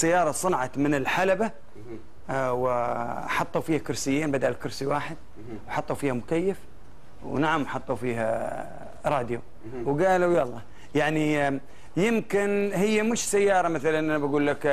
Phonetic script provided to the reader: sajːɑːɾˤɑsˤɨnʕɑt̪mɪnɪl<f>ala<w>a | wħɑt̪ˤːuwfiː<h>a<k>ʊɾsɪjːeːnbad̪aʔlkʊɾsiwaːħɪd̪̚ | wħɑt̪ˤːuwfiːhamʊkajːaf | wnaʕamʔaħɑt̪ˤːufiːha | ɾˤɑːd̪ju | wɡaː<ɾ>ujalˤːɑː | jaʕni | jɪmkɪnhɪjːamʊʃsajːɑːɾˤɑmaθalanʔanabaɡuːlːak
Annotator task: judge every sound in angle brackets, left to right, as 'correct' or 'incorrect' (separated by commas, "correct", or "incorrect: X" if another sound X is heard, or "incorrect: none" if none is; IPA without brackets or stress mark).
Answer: incorrect: ħ, incorrect: b, correct, correct, incorrect: l